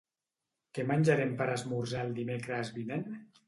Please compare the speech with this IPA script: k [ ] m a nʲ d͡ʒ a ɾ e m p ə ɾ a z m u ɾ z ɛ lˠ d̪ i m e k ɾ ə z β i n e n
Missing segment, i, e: e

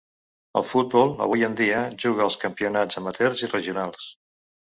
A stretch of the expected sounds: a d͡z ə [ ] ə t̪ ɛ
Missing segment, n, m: m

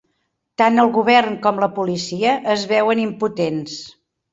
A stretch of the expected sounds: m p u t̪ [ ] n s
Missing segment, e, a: e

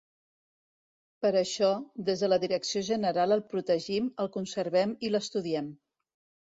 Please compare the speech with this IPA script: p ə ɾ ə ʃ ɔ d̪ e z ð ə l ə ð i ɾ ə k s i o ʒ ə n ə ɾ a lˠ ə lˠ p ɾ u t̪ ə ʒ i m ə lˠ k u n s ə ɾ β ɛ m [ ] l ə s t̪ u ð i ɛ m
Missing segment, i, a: i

